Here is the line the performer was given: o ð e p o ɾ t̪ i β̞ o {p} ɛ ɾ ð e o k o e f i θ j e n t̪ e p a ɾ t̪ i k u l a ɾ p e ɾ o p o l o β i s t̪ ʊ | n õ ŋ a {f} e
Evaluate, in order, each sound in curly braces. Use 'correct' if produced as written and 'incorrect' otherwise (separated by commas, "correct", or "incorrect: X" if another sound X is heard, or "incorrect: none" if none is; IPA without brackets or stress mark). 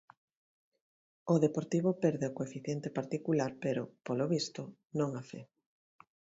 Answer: correct, correct